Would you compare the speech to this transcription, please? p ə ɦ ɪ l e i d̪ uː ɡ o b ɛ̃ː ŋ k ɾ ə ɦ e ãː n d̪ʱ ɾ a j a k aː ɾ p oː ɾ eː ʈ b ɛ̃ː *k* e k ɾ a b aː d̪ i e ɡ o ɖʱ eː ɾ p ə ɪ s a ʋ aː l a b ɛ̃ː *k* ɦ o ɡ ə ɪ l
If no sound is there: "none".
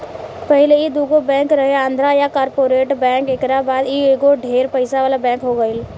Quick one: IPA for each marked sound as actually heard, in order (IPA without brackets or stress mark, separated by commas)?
k, k